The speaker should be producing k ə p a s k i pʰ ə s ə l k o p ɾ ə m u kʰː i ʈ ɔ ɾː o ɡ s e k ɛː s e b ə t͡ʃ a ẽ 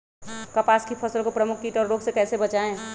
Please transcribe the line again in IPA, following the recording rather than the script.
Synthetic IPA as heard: k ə p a s k i pʰ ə s ə l k o p ɾ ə m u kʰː i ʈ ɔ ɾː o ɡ s e k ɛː s e b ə t͡ʃ a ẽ